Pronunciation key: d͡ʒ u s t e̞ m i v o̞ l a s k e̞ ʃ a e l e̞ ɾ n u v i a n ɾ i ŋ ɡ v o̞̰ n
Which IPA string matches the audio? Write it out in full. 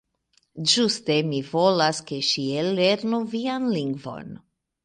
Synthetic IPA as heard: d͡ʒ u s t e̞ m i v o̞ l a s k e̞ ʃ i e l e̞ ɾ n u v i a n l i ŋ ɡ v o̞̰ n